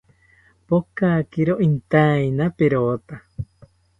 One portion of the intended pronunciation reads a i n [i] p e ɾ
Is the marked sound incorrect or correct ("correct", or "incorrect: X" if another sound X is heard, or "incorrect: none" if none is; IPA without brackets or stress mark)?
incorrect: a